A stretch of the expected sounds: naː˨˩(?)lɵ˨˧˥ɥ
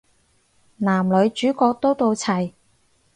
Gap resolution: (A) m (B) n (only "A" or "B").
A